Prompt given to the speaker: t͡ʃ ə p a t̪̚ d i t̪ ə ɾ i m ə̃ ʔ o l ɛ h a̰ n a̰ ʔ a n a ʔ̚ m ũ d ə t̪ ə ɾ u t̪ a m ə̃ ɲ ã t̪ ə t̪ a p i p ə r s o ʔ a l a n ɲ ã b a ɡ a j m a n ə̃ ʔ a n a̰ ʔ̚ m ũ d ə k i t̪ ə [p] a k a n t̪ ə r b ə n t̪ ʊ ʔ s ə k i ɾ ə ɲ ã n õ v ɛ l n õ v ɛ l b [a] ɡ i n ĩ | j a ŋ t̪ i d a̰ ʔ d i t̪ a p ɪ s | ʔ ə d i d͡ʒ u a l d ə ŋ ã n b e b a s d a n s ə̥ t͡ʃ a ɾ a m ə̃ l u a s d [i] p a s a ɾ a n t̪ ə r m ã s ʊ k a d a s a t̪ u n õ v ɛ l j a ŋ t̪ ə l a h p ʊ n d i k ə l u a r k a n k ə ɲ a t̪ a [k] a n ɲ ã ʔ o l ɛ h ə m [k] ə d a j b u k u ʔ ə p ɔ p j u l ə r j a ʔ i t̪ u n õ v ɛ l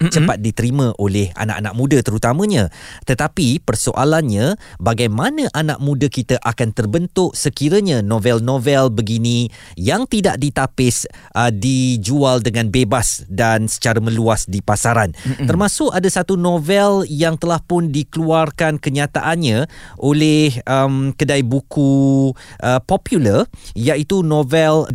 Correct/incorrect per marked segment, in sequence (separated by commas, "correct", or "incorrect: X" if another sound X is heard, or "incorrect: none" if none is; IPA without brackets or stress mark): incorrect: ʔ, incorrect: ə, correct, incorrect: ʔ, correct